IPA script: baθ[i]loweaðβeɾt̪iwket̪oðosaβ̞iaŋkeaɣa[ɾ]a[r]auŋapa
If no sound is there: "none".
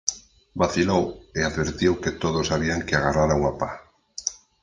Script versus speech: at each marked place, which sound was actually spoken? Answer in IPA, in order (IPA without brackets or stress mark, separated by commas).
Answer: i, r, ɾ